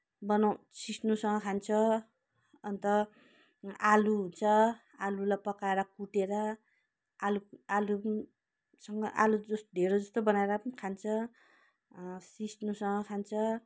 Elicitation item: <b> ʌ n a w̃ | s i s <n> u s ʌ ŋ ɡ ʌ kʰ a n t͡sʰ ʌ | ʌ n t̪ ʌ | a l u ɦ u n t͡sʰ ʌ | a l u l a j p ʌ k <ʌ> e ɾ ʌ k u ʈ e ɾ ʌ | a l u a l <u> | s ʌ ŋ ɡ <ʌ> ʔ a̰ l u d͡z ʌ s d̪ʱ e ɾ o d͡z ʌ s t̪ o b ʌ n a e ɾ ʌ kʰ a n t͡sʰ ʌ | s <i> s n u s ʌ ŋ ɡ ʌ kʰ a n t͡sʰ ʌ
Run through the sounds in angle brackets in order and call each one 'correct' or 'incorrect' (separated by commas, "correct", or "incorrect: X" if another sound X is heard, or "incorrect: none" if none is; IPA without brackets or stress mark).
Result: correct, correct, incorrect: a, correct, correct, correct